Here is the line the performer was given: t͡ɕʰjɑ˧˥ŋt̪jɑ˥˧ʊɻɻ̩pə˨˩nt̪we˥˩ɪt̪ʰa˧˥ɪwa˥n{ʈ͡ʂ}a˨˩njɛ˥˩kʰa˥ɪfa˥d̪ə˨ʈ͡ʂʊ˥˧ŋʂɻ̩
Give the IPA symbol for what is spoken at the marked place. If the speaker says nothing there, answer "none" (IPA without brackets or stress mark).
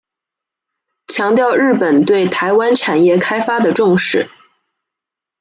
ʈ͡ʂʰ